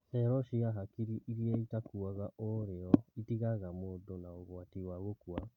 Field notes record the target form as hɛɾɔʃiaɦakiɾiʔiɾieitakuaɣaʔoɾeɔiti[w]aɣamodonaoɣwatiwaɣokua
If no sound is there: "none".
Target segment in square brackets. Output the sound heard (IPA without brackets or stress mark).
ɣ